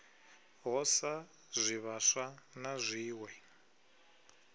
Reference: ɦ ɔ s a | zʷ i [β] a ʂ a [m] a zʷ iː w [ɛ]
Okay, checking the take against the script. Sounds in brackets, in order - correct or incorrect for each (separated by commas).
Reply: correct, incorrect, correct